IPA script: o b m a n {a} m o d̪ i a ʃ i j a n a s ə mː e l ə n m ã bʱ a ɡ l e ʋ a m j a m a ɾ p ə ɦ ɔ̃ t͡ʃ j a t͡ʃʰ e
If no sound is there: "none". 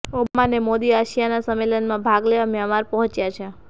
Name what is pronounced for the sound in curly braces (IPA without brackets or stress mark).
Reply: e